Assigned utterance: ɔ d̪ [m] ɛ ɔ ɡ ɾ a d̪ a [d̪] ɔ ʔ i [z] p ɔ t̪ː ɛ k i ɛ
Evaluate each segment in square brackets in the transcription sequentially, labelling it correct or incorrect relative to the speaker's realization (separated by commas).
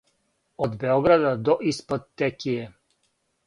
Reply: incorrect, correct, incorrect